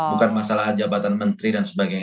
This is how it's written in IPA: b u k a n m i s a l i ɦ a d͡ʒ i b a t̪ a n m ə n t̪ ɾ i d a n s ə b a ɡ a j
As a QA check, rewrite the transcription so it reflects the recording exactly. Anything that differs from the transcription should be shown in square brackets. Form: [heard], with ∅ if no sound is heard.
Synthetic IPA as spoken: b u k a n m [a] s a l [a] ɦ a d͡ʒ [a] b a t̪ a n m ə n t̪ ɾ i d a n s ə b a ɡ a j

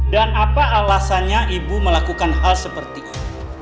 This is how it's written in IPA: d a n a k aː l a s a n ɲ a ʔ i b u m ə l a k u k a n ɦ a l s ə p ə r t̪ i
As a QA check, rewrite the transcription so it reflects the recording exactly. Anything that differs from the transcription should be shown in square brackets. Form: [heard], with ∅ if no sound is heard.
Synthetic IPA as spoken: d a n a [p] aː l a s a n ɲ a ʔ i b u m ə l a k u k a n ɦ a l s ə p ə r t̪ i

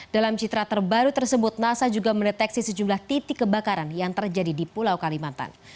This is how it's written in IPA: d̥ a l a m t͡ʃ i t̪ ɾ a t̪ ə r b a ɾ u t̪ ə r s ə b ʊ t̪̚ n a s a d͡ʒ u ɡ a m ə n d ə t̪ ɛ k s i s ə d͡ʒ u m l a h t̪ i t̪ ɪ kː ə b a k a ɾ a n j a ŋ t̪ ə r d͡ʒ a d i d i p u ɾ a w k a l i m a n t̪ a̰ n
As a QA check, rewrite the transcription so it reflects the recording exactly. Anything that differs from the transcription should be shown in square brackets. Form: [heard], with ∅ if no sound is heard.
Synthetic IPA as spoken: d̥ a l a m t͡ʃ i t̪ ɾ a t̪ ə r b a ɾ u t̪ ə r s ə b ʊ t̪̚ n a s a d͡ʒ u ɡ a m ə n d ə t̪ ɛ k s i s ə d͡ʒ u m l a h t̪ i t̪ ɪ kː ə b a k a ɾ a n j a ŋ t̪ ə r d͡ʒ a d i d i p u [l] a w k a l i m a n t̪ a̰ n

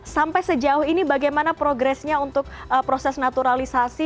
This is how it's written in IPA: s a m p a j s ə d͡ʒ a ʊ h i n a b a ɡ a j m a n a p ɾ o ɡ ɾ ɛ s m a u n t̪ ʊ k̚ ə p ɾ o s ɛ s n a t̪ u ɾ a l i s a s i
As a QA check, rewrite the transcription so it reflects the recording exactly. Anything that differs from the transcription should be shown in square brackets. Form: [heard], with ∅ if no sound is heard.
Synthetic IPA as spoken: s a m p a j s ə d͡ʒ a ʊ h i n [i] b a ɡ a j m a n a p ɾ o ɡ ɾ ɛ s [ɲ] a u n t̪ ʊ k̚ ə p ɾ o s ɛ s n a t̪ u ɾ a l i s a s i

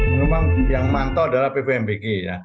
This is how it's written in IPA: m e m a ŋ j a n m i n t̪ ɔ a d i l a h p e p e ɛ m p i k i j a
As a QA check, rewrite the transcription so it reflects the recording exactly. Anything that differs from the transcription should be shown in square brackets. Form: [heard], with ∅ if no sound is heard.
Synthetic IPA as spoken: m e m a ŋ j a [ŋ] m [a] n t̪ ɔ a d [a] l a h p e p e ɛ m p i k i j a

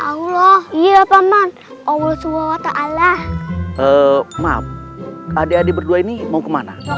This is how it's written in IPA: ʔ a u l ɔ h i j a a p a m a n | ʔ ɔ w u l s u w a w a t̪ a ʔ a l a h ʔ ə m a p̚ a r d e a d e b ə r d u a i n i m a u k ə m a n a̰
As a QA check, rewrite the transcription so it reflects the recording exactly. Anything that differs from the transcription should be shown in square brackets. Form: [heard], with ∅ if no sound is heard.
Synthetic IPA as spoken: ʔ a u l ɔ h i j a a p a m a n | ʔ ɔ w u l s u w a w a t̪ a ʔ a l a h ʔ ə m a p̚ a [∅] d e a d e b ə r d u a i n i m a u k ə m a n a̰

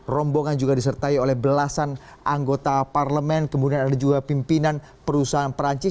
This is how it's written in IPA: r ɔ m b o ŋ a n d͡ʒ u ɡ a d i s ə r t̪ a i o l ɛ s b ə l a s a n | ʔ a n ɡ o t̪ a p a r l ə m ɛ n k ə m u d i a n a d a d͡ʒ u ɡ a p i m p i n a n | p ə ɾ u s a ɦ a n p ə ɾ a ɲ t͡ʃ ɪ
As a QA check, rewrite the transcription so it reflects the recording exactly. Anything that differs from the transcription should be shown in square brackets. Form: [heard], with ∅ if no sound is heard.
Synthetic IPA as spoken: r ɔ m b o ŋ a n d͡ʒ u ɡ a d i s ə r t̪ a i o l ɛ [h] b ə l a s a n | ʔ a [ŋ] ɡ o t̪ a p a r l ə m ɛ n k ə m u d i a n a d a d͡ʒ u ɡ a p i m p i n a n | p ə ɾ u s a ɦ a n p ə ɾ a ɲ t͡ʃ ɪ

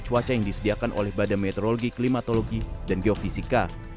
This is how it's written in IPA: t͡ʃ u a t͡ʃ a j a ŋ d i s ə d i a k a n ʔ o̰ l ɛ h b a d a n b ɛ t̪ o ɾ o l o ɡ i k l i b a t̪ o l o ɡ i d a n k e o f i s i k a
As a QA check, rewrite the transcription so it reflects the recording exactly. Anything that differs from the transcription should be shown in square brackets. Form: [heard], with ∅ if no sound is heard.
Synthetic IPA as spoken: t͡ʃ u a t͡ʃ a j a ŋ d i s ə d i a k a n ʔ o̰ l ɛ h b a d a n [m] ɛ t̪ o ɾ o l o ɡ i k l i [m] a t̪ o l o ɡ i d a n [ɡ] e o f i s i k a

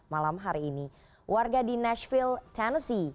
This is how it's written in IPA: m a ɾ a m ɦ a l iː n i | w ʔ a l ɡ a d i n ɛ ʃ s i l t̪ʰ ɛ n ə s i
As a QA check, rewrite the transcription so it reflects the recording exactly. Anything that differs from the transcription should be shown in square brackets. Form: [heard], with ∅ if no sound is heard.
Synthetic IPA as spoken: m a [l] a m ɦ a [ɾ] iː n i | w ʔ a [r] ɡ a d i n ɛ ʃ [f] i l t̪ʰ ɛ n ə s i

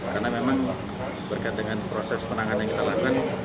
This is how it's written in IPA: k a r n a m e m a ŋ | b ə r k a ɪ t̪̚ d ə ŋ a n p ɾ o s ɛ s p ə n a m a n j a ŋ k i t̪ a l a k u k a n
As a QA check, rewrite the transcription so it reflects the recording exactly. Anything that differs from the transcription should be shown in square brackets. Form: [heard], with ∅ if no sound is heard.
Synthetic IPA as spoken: k a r n a m e m a ŋ | b ə r k a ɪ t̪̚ d ə ŋ a n p ɾ o s ɛ s p ə n a [ŋ] a n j a ŋ k i t̪ a l a k u k a n

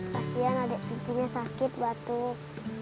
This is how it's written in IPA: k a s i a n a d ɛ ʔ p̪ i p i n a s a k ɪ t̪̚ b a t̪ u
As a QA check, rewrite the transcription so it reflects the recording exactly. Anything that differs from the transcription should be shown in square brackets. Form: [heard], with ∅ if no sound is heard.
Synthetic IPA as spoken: k a s i a n a d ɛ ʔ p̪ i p i [ɲ] a s a k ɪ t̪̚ b a t̪ u

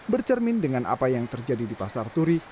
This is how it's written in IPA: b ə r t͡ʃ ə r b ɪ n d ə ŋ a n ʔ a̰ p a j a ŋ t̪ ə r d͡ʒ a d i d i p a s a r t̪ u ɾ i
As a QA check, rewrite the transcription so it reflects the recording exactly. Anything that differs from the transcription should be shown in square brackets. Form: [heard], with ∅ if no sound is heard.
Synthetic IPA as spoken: b ə r t͡ʃ ə r [m] ɪ n d ə ŋ a n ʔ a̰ p a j a ŋ t̪ ə r d͡ʒ a d i d i p a s a r t̪ u ɾ i

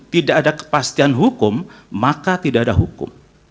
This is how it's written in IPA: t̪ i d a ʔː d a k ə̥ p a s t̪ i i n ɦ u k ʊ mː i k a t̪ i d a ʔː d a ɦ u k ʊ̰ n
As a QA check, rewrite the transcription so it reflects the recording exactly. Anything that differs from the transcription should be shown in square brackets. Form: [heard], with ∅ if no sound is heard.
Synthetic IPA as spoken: t̪ i d a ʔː d a k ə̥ p a s t̪ i [a] n ɦ u k ʊ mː [a] k a t̪ i d a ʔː d a ɦ u k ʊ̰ [m]

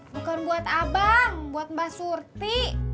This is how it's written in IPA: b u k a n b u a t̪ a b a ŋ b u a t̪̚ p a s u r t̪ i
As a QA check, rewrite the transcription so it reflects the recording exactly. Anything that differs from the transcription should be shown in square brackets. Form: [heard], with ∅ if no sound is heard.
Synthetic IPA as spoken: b u k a n b u a t̪ a b a ŋ b u a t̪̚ [b] a s u r t̪ i

